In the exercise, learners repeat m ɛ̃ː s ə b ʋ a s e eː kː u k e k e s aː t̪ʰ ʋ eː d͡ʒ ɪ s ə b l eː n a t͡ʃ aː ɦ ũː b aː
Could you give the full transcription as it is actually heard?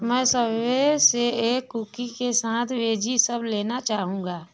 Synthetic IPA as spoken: m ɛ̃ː s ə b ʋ e s e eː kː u k i k e s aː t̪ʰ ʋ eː d͡ʒ i s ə b l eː n a t͡ʃ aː ɦ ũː ɡ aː